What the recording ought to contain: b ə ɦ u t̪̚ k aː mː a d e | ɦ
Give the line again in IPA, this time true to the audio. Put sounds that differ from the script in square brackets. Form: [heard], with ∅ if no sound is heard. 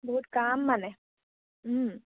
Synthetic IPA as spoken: b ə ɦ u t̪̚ k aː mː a [n] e | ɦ